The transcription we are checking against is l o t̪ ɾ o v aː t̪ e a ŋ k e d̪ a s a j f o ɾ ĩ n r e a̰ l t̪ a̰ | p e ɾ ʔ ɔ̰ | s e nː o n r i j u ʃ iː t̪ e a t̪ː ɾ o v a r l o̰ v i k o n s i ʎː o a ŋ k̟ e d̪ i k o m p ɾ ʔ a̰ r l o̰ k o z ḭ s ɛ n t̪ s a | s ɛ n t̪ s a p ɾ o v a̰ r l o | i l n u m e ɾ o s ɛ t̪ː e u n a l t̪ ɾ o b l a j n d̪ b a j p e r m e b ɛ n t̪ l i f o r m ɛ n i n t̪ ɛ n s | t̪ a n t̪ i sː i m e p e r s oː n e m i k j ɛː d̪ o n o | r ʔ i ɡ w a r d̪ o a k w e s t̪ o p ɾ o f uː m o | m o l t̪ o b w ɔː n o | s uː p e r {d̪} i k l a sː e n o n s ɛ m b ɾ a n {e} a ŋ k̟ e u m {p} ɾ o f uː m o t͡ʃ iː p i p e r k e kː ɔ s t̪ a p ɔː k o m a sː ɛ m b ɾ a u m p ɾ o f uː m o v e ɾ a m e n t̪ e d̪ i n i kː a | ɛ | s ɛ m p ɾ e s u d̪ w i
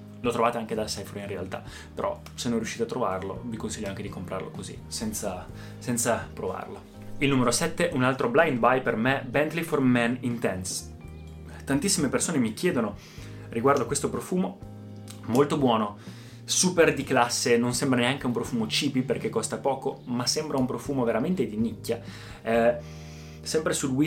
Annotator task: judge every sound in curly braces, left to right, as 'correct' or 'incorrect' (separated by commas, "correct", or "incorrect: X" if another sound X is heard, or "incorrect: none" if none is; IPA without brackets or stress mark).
correct, correct, correct